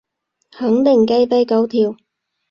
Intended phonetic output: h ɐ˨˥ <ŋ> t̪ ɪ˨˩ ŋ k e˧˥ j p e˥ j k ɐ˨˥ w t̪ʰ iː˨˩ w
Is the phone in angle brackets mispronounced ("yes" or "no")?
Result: no